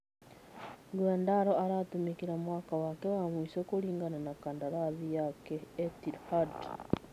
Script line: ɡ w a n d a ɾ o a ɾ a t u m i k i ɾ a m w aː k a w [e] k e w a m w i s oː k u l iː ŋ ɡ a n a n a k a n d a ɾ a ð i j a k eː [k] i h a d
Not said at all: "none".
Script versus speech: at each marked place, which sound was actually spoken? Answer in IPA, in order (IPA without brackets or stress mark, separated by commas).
a, t